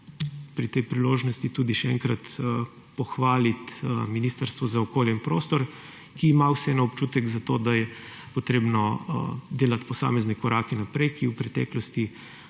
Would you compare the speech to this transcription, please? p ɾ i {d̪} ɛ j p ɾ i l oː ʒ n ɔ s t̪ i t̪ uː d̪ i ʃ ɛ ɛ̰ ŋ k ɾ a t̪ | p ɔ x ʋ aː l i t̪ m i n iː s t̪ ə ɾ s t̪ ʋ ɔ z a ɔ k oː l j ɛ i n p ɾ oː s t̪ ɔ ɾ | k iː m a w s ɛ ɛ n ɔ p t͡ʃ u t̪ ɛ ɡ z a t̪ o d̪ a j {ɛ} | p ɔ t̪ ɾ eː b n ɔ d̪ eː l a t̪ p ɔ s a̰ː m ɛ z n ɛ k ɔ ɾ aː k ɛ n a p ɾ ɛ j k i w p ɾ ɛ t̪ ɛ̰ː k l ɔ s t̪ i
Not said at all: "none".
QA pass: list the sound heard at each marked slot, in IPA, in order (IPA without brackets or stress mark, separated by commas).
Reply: t̪, ɛ